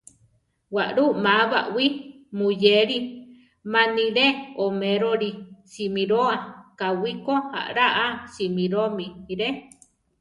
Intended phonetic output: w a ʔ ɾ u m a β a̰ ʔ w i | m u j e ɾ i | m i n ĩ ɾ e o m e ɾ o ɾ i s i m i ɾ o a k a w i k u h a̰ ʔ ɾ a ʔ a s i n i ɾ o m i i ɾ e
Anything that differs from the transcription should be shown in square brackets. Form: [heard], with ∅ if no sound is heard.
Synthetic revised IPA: w a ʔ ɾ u m a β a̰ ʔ w i | m u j e ɾ i | m [a] n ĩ ɾ e o m e ɾ o ɾ i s i m i ɾ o a k a w i k [o] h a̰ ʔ ɾ a ʔ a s i [m] i ɾ o m i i ɾ e